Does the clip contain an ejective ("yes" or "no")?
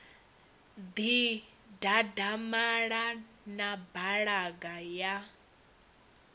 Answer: no